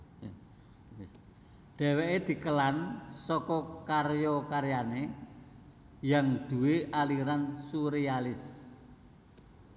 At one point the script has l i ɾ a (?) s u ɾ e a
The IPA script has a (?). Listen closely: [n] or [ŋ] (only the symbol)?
n